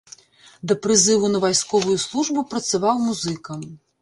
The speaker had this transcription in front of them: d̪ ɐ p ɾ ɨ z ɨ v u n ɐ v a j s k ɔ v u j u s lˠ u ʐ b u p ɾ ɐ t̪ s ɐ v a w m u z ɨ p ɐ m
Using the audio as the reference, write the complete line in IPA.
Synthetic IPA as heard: d̪ ɐ p ɾ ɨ z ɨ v u n ɐ v a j s k ɔ v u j u s lˠ u ʐ b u p ɾ ɐ t̪ s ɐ v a w m u z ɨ k ɐ m